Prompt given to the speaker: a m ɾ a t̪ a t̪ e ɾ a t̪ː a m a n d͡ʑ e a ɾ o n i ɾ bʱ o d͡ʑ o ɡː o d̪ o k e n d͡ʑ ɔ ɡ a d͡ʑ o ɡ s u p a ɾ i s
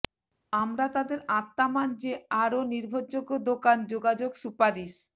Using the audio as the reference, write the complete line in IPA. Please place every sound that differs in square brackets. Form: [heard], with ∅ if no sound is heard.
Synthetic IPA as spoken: a m ɾ a t̪ a [d̪] e ɾ a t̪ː a m a n d͡ʑ e a ɾ o n i ɾ bʱ o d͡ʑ o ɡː o d̪ o k [a] n d͡ʑ [o] ɡ a d͡ʑ o ɡ s u p a ɾ i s